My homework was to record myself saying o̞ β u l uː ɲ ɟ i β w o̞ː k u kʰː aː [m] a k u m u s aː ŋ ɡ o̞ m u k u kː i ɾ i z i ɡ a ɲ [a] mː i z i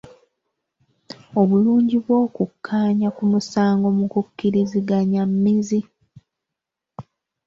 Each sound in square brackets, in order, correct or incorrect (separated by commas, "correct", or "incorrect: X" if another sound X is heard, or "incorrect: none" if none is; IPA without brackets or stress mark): incorrect: ɲ, correct